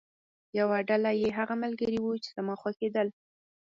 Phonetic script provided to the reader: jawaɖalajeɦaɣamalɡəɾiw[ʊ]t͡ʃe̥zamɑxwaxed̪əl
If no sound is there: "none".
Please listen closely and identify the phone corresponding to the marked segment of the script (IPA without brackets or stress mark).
u